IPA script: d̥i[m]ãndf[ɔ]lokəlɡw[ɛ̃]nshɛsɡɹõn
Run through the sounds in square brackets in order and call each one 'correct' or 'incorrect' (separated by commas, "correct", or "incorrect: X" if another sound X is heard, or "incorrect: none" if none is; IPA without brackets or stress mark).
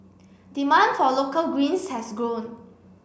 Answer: correct, correct, incorrect: ĩ